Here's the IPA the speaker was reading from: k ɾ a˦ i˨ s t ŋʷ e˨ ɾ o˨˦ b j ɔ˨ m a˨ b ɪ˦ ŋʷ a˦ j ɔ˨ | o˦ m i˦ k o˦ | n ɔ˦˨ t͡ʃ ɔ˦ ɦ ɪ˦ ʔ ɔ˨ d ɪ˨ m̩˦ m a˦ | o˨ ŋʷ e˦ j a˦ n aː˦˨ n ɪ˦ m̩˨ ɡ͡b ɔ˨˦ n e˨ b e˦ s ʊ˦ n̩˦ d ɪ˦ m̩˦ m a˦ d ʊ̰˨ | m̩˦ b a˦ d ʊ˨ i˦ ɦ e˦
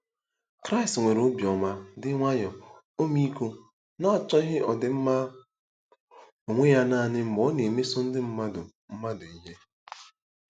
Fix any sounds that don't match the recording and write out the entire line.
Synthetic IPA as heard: k ɾ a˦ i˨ s t ŋʷ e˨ ɾ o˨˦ b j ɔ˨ m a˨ d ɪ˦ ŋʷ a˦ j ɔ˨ | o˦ m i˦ k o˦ | n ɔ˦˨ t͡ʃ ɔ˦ ɦ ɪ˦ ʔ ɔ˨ d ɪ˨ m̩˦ m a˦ | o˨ ŋʷ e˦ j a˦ n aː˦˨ n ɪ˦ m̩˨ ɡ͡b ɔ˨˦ n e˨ m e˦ s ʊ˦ n̩˦ d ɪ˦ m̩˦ m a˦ d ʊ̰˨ | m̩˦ m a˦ d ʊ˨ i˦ ɦ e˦

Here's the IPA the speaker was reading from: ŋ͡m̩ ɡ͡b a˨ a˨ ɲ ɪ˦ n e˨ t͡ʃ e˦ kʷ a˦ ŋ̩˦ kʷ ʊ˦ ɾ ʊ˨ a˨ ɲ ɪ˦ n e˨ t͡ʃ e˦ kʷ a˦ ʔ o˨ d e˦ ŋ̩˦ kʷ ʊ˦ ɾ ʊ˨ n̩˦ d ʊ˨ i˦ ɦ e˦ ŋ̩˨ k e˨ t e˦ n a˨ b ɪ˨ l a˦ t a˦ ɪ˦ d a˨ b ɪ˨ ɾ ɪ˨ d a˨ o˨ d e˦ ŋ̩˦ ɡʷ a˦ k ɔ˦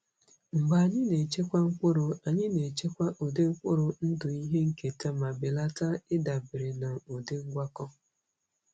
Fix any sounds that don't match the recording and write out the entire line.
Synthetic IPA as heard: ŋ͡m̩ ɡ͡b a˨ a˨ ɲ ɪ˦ n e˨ t͡ʃ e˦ kʷ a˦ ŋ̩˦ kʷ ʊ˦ ɾ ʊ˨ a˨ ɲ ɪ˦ n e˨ t͡ʃ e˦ kʷ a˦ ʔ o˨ d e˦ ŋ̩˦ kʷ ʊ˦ ɾ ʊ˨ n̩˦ d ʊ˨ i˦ ɦ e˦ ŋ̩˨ k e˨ t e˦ m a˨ b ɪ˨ l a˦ t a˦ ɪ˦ d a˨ b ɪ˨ ɾ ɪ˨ n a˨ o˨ d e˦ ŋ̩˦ ɡʷ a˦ k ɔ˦

